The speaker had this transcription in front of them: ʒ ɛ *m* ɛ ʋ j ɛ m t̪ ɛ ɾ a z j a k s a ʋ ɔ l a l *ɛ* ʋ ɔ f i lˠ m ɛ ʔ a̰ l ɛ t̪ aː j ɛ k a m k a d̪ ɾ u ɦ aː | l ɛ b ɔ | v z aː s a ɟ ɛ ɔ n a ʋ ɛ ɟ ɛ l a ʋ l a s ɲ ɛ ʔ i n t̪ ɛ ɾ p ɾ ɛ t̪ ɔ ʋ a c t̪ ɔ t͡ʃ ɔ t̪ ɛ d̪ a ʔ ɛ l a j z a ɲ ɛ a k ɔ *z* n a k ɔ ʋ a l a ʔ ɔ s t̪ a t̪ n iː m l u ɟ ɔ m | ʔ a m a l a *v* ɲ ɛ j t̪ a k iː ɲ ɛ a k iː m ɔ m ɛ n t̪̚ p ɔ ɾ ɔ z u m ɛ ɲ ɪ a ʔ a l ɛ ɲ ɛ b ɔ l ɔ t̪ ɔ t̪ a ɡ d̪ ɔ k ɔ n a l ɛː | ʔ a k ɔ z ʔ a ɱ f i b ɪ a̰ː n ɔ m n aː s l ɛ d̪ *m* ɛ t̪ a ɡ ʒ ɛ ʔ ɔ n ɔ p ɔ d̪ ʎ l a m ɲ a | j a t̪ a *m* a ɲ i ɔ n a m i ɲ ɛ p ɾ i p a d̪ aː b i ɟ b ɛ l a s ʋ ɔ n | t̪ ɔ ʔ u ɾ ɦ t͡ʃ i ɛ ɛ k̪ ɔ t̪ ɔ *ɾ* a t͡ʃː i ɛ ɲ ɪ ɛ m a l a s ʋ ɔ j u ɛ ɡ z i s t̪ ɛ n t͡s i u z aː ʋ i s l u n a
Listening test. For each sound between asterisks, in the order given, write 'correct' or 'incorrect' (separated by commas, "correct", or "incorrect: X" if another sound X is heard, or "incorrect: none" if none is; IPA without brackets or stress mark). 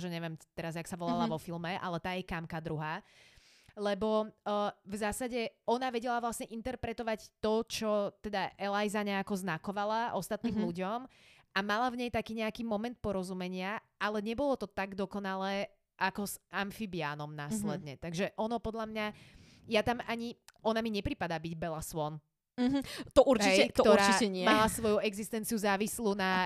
incorrect: ɲ, incorrect: a, correct, correct, incorrect: ɲ, correct, correct